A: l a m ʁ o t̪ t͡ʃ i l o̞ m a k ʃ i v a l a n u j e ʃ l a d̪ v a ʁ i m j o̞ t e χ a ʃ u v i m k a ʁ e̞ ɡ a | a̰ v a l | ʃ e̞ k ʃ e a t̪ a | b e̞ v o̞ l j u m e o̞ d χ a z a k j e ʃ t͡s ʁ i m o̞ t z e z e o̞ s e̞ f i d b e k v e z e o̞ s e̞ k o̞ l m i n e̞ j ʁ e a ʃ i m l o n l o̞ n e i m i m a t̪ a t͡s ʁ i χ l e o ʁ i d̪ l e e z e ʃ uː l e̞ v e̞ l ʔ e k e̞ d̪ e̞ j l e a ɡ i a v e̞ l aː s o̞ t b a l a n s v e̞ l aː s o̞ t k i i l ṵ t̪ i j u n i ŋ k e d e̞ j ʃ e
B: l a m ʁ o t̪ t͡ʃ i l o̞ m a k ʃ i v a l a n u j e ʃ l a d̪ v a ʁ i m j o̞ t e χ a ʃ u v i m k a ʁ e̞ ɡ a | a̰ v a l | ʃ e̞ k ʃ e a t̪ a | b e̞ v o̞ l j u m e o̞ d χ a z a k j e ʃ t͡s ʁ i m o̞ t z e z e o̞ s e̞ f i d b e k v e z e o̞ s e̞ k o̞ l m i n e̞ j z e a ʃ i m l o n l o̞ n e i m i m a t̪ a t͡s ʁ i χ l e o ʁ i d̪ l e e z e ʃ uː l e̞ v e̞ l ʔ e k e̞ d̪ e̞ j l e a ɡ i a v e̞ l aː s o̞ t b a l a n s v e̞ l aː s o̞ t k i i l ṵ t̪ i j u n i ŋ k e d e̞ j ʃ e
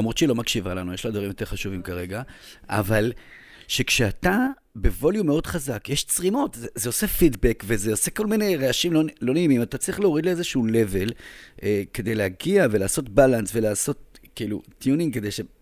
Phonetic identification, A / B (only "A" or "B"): A